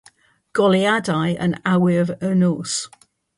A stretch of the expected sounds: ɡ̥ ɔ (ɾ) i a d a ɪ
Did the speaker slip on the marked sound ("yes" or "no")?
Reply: yes